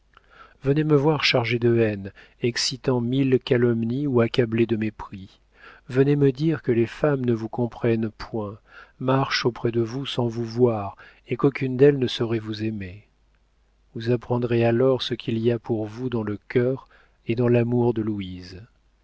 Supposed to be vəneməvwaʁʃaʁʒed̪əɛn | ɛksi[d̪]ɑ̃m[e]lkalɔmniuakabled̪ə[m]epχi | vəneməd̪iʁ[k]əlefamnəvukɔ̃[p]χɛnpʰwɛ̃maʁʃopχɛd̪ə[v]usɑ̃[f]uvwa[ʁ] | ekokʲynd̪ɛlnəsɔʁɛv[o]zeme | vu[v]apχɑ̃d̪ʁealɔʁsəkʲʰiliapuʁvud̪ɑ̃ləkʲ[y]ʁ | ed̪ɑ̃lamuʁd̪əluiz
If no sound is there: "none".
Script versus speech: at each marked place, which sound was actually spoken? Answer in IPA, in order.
t̪, i, m, k, p, v, v, ʁ, u, z, œ

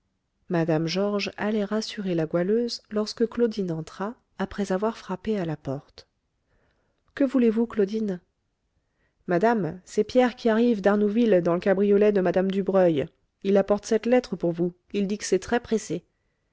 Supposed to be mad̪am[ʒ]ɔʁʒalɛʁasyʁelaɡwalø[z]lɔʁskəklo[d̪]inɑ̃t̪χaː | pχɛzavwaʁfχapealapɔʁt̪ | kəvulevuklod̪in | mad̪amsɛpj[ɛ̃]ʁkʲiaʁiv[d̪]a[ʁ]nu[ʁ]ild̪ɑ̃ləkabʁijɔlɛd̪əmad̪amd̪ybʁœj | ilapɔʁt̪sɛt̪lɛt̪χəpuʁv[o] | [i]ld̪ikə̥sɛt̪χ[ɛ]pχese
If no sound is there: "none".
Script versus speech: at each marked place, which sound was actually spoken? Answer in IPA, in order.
ʒ, z, d̪, ɛ, d̪, ʁ, v, u, i, ɛ

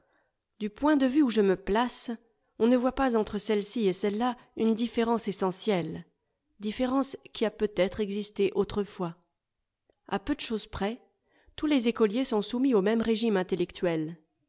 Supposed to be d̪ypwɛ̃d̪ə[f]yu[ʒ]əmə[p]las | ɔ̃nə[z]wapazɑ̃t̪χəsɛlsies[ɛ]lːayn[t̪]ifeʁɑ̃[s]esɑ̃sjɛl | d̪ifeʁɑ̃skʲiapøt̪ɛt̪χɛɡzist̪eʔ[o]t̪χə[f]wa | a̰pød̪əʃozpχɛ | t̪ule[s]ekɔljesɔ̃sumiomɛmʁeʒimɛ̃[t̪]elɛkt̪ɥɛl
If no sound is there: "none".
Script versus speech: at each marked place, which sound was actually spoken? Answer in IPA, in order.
v, ʒ, p, v, ɛ, d̪, s, o, f, z, t̪

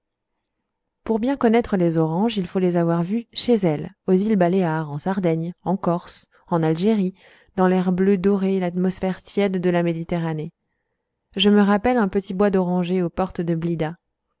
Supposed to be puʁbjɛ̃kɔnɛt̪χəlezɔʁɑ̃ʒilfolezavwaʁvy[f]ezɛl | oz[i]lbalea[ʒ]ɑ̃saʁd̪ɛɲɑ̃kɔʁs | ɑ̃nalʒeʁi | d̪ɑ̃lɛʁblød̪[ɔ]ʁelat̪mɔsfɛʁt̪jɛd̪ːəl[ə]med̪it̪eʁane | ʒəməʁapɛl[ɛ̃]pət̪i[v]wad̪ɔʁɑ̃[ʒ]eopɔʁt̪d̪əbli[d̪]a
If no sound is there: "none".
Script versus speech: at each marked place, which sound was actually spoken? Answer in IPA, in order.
ʃ, i, ʁ, ɔ, a, ɛ̃, b, ʒ, d̪

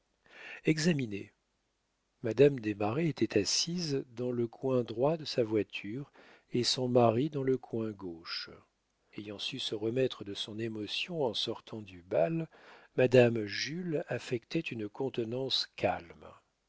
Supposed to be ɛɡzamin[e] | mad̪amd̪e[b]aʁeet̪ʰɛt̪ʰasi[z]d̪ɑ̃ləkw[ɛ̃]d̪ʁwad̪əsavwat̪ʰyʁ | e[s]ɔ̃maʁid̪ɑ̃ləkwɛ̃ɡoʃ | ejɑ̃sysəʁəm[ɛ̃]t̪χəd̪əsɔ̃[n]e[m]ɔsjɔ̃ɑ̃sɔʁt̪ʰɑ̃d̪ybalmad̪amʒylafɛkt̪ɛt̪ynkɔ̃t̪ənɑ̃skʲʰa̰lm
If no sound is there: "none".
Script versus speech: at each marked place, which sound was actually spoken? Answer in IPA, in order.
e, m, z, ɛ̃, s, ɛ, n, m

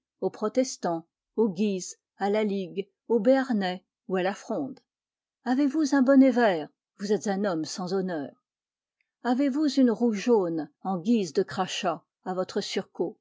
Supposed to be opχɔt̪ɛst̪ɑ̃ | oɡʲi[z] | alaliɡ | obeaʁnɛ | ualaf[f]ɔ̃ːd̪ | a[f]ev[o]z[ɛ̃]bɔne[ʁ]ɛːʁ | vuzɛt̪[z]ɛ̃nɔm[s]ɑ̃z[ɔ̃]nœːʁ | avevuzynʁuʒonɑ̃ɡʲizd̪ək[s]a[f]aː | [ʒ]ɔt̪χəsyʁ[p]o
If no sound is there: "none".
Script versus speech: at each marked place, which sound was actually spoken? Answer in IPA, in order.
z, χ, v, u, ɛ̃, v, z, s, ɔ, χ, ʃ, v, k

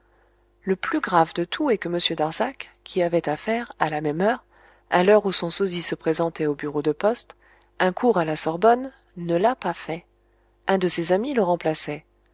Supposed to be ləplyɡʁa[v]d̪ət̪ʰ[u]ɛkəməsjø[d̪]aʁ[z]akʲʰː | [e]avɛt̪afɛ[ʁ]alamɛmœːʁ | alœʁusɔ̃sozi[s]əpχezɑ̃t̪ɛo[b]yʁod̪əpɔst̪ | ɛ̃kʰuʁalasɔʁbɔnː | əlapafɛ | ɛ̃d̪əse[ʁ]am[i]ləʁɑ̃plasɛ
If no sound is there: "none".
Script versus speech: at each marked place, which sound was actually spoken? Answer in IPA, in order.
v, u, d̪, z, i, ʁ, s, b, z, i

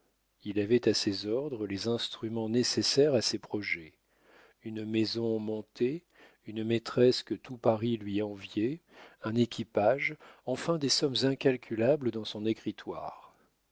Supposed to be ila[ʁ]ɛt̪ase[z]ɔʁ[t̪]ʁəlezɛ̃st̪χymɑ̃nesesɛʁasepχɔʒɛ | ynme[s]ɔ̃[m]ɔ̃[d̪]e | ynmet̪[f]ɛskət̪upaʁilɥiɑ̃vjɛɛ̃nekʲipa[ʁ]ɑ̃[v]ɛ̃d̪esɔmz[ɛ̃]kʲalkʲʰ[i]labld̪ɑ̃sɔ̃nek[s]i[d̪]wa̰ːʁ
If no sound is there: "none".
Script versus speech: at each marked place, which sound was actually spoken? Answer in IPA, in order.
v, z, d̪, z, m, t̪, χ, ʒ, f, ɛ̃, y, χ, t̪

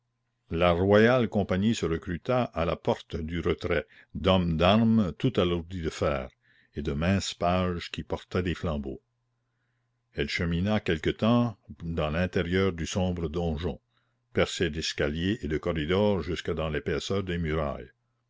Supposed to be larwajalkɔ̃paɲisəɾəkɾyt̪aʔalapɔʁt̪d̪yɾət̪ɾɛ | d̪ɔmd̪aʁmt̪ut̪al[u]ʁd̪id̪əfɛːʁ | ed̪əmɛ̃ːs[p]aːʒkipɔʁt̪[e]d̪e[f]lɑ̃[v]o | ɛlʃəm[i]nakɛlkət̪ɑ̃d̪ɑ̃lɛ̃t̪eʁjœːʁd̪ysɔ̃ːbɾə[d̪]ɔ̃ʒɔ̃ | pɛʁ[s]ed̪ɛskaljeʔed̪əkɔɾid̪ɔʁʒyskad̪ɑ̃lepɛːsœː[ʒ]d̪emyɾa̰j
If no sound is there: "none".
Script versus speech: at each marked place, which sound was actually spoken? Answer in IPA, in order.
u, p, ɛ, f, b, i, d̪, s, ʁ

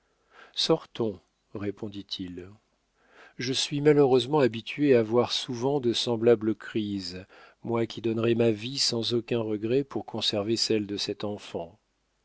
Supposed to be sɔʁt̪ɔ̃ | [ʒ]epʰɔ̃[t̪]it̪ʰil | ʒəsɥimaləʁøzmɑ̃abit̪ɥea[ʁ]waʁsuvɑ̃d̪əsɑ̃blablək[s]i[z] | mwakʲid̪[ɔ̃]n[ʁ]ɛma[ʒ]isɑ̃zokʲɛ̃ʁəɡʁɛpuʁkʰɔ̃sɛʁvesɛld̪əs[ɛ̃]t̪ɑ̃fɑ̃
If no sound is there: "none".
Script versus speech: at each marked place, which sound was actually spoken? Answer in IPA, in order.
ʁ, d̪, v, χ, z, ɔ, ʁ, v, ɛ

